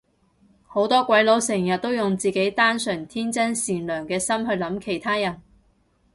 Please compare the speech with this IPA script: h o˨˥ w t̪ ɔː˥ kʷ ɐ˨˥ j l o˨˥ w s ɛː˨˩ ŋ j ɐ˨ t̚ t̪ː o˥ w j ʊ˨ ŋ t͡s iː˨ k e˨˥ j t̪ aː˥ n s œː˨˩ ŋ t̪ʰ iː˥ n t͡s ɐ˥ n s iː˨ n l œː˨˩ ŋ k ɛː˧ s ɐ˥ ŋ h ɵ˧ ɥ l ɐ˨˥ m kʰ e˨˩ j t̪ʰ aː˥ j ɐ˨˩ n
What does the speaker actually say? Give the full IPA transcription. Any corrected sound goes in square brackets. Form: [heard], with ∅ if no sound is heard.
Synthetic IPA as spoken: h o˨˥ w t̪ ɔː˥ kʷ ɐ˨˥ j l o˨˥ w s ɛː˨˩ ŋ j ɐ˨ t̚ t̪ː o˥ w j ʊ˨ ŋ t͡s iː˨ k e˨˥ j t̪ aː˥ n s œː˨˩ ŋ t̪ʰ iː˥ n t͡s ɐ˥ n s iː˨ n l œː˨˩ ŋ k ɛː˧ s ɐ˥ [m] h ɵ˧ ɥ l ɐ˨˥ m kʰ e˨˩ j t̪ʰ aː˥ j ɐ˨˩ n